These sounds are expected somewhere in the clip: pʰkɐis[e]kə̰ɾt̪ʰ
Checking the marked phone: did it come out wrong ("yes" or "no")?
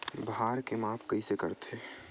no